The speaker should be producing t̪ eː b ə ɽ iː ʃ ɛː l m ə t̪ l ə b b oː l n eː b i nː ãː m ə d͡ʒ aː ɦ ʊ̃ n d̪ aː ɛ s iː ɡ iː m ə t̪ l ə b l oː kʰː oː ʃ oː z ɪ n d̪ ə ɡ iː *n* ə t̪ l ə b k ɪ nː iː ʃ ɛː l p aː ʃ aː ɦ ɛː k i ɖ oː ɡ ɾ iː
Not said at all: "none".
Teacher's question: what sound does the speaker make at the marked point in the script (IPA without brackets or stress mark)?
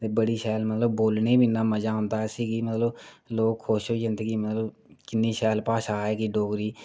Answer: m